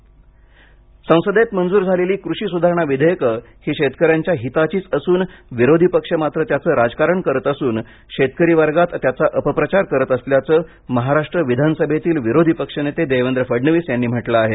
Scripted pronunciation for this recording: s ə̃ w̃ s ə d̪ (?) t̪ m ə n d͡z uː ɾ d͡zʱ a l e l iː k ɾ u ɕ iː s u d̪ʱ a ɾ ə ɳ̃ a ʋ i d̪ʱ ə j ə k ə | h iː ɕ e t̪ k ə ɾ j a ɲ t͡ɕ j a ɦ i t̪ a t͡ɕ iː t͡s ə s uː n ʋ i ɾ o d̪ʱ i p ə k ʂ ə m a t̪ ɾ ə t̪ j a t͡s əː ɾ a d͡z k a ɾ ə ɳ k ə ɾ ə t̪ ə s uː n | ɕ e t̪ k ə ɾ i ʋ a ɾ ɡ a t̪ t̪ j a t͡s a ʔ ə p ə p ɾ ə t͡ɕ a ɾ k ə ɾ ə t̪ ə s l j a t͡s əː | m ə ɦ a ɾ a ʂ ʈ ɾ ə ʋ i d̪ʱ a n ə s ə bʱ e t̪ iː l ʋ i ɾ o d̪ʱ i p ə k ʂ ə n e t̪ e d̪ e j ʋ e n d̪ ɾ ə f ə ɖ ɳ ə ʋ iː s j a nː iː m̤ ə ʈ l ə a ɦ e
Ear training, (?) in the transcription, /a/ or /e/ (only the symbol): e